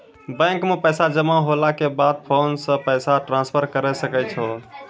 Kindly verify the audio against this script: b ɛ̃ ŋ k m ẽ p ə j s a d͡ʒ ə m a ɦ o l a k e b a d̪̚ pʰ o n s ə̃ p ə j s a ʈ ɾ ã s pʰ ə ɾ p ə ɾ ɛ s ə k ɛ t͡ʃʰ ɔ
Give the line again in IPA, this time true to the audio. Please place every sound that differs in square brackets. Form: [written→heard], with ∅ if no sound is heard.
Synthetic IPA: b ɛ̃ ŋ k m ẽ p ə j s a d͡ʒ ə m a ɦ o l a k e b a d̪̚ pʰ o n s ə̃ p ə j s a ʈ ɾ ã s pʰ ə ɾ [p→k] ə ɾ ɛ s ə k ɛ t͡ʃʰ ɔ